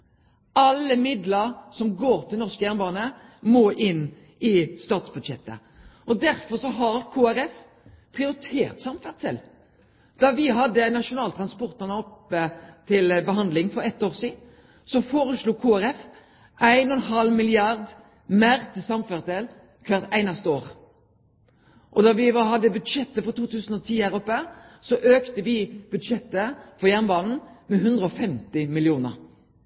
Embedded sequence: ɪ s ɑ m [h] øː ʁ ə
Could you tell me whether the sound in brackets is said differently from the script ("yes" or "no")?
yes